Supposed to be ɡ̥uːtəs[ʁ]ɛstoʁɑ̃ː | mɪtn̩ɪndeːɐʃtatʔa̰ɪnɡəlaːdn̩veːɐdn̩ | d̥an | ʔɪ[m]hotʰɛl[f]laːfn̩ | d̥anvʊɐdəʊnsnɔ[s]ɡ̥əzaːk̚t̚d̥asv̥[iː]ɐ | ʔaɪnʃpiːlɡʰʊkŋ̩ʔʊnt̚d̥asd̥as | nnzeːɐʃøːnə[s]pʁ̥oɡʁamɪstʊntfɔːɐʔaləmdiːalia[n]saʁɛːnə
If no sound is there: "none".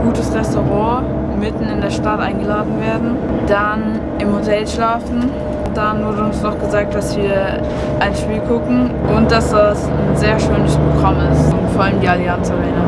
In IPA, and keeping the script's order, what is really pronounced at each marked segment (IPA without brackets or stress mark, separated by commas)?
ʁ, m, ʃ, χ, iː, s, n